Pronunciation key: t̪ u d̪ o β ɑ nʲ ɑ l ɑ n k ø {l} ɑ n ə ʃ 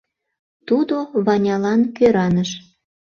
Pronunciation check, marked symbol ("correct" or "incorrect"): incorrect